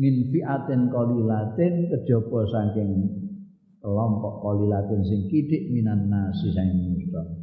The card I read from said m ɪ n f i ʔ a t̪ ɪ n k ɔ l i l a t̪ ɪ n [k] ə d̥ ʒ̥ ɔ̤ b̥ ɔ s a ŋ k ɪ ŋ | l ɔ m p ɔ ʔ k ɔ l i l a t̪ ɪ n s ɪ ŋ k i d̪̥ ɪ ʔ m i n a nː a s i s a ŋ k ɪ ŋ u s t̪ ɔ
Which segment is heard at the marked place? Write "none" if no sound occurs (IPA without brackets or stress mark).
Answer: k